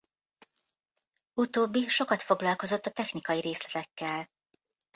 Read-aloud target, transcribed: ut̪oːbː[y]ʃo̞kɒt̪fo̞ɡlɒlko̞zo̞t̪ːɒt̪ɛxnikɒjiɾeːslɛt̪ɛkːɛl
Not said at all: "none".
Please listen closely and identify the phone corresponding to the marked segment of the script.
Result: i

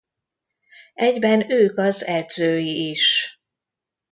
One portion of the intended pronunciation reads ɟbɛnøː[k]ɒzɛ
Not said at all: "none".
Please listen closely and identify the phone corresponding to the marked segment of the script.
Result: k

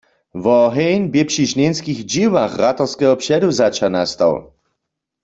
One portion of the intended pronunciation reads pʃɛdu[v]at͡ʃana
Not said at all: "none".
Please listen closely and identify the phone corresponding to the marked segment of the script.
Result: z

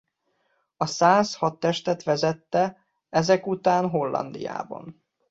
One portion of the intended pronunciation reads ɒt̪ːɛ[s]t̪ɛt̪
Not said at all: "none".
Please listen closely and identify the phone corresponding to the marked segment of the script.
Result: ʃ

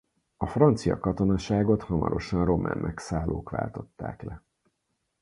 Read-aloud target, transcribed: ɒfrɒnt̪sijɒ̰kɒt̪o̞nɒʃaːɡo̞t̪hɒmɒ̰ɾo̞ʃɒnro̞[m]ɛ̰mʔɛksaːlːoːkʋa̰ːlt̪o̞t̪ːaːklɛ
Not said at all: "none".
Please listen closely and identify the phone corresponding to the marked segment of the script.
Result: m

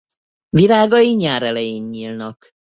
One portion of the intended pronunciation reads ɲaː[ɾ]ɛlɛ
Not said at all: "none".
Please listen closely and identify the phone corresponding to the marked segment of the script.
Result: ɾ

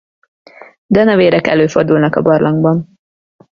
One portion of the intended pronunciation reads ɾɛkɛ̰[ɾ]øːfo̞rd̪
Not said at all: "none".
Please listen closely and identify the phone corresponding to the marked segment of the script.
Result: l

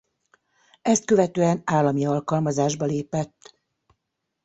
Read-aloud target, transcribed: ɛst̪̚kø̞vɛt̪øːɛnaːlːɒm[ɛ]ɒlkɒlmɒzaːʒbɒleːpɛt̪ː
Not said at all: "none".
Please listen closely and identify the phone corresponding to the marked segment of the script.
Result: i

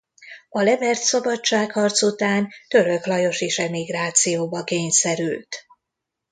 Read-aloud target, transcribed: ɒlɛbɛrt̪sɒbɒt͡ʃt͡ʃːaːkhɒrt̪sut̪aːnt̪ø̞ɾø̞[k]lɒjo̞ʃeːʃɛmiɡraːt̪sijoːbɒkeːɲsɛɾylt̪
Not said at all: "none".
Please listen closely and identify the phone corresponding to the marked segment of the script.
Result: k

